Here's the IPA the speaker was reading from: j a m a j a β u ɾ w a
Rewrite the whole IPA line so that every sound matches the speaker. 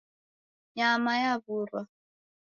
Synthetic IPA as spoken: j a m a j a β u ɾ w a